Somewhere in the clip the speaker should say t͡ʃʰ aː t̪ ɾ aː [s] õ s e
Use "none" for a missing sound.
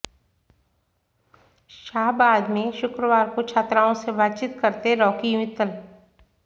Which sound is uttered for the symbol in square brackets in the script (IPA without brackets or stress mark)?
none